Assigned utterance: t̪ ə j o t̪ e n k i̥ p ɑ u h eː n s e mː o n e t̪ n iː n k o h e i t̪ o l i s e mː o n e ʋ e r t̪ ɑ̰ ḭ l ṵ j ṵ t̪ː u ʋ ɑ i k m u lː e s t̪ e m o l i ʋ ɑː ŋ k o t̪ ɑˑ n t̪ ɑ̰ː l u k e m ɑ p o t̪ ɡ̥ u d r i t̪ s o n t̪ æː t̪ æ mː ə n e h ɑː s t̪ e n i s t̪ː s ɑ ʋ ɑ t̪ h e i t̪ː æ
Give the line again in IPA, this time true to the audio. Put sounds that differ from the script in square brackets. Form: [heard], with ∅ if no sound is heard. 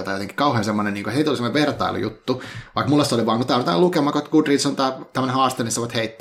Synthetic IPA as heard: t̪ [ɑ] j o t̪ e [ŋ] k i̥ [k] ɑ u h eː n s e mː o n e [∅] n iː [ŋ] k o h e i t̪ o l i s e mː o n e ʋ e r t̪ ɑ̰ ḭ l ṵ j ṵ t̪ː u ʋ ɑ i k m u lː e s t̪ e [∅] o l i ʋ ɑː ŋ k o t̪ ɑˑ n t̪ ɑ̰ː l u k e m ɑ [k] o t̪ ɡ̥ u d r i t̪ s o n t̪ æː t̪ æ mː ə n e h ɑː s t̪ e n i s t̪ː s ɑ ʋ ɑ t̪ h e i t̪ː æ